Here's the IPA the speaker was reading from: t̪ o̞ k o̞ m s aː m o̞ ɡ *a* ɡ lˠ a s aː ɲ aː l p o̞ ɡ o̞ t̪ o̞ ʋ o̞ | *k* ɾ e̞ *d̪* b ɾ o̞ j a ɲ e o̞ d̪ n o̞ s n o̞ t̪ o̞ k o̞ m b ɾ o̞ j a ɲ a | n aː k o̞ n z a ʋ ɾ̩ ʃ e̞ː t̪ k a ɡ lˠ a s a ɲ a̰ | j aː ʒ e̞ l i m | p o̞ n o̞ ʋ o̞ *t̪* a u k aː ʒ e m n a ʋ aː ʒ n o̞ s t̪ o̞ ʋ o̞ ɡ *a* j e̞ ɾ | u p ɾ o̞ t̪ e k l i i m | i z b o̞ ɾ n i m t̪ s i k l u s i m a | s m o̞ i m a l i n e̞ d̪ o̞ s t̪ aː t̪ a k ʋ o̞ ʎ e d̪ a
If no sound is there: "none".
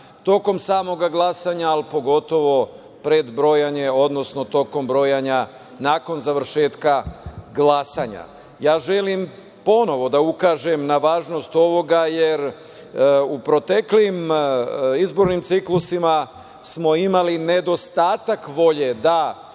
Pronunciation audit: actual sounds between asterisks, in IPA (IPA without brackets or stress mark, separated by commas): a, p, d̪, d̪, a